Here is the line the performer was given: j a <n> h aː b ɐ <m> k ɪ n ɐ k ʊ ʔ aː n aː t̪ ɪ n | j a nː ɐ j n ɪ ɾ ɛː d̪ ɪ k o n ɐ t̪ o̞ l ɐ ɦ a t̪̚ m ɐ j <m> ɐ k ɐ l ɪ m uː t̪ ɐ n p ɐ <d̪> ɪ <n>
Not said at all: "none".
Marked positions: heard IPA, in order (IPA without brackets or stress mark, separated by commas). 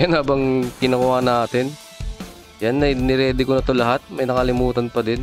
n, ŋ, n, d̪, n